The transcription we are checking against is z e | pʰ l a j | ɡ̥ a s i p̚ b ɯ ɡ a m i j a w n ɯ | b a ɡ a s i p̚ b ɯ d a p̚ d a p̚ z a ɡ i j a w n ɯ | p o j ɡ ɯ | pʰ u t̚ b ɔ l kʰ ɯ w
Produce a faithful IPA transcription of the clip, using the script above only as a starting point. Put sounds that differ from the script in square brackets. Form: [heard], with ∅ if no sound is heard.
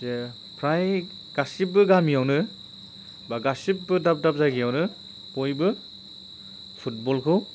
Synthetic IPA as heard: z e | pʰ [ɾ] a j | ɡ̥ a s i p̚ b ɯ ɡ a m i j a w n ɯ | b a ɡ a s i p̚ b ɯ d a p̚ d a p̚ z a ɡ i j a w n ɯ | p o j [b] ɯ | pʰ u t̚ b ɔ l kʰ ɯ w

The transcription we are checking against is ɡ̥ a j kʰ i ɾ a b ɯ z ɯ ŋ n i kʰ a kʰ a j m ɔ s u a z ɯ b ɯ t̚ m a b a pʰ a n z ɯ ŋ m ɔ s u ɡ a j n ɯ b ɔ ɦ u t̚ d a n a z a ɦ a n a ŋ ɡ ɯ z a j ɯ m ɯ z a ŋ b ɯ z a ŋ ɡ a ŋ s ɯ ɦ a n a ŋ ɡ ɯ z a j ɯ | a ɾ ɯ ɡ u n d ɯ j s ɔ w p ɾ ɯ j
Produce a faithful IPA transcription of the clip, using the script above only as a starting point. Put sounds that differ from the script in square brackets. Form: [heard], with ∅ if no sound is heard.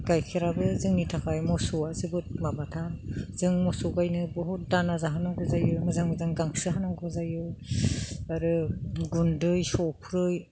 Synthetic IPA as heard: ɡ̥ a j kʰ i ɾ a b ɯ z ɯ ŋ n i [tʰ] a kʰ a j m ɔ s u a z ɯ b ɯ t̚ m a b a [tʰ] a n z ɯ ŋ m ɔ s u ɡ a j n ɯ b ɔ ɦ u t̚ d a n a z a ɦ a n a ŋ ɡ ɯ z a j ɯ m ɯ z a ŋ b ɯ z a ŋ ɡ a ŋ s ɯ ɦ a n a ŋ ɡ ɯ z a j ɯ | a ɾ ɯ ɡ u n d ɯ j s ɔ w [pʰ] ɾ ɯ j

